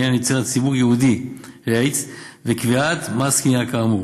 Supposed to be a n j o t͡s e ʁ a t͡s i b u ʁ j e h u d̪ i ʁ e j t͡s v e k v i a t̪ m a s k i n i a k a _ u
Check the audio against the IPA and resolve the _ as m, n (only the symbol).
m